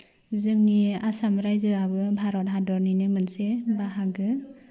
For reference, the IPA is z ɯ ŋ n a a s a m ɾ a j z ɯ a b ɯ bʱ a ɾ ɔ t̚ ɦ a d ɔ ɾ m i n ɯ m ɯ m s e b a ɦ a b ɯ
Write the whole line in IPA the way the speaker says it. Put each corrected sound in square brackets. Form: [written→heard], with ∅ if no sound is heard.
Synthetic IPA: z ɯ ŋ n [a→i] a s a m ɾ a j z ɯ a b ɯ bʱ a ɾ ɔ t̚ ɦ a d ɔ ɾ [m→n] i n ɯ m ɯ [m→n] s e b a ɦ a [b→ɡ] ɯ